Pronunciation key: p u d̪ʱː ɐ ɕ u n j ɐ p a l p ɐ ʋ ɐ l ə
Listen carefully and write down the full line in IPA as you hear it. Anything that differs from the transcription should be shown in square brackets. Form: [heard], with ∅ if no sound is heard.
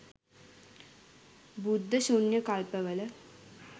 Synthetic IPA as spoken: [b] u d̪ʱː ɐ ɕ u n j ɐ [k] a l p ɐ ʋ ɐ l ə